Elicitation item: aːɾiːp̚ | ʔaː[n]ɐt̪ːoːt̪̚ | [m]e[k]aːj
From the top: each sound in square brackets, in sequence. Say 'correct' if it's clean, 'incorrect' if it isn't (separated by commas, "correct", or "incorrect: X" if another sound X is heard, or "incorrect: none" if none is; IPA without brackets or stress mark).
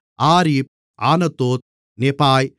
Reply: correct, incorrect: n, incorrect: p